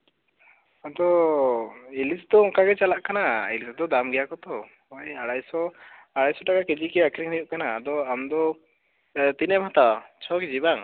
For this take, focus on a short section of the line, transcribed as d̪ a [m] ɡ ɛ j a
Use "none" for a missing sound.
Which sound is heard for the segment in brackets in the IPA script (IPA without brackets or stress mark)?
m